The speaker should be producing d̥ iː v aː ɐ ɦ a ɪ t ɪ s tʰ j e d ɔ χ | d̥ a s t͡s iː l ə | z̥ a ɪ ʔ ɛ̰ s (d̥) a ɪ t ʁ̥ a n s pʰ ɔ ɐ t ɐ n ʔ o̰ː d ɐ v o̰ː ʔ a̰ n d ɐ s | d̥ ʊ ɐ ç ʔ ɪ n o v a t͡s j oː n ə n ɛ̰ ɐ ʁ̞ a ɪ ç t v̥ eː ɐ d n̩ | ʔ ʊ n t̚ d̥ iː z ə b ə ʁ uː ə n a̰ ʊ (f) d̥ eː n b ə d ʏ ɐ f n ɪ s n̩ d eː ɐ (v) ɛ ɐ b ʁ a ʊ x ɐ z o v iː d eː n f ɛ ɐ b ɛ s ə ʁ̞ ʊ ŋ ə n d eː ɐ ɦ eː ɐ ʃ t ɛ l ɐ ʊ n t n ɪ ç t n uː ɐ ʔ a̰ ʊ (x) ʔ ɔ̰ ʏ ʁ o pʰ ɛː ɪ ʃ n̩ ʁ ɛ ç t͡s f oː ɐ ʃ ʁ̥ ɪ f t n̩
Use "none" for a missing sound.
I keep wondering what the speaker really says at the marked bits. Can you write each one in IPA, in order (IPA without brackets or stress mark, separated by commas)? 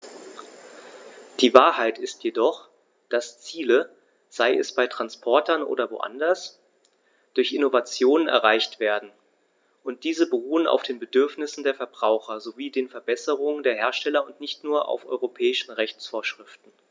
b̥, f, f, f